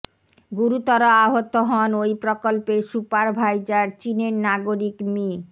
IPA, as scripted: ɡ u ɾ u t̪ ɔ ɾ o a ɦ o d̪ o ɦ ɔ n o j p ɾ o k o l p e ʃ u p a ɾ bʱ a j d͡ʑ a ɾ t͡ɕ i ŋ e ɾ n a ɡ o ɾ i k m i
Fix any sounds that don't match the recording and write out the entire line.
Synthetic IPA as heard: ɡ u ɾ u t̪ ɔ ɾ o a ɦ o t̪ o ɦ ɔ n o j p ɾ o k o l p e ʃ u p a ɾ bʱ a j d͡ʑ a ɾ t͡ɕ i n e ɾ n a ɡ o ɾ i k m i